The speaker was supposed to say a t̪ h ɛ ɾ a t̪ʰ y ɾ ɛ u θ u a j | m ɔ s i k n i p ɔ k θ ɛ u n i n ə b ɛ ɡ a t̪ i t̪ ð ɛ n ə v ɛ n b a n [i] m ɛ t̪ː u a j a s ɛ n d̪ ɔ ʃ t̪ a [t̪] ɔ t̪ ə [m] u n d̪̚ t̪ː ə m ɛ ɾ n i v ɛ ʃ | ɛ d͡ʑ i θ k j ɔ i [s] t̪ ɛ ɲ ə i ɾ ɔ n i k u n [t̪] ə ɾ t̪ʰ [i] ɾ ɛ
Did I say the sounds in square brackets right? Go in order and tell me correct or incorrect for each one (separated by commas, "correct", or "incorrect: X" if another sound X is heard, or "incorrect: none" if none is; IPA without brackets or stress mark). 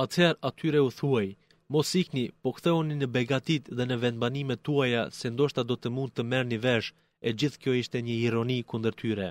correct, incorrect: d̪, correct, incorrect: ʃ, incorrect: d̪, incorrect: y